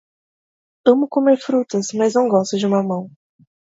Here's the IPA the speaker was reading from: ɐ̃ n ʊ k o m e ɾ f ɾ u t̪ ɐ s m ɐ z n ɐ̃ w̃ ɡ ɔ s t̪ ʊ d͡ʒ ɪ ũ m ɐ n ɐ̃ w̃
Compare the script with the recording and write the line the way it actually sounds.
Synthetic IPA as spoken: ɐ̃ m ʊ k o m e ɾ f ɾ u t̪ ɐ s m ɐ z n ɐ̃ w̃ ɡ ɔ s t̪ ʊ d͡ʒ ɪ ũ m ɐ m ɐ̃ w̃